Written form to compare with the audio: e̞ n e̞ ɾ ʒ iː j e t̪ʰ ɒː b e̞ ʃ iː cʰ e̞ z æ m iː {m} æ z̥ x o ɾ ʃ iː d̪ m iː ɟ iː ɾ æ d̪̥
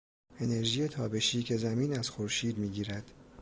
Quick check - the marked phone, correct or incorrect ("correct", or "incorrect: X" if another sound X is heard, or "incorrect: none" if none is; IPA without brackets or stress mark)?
incorrect: n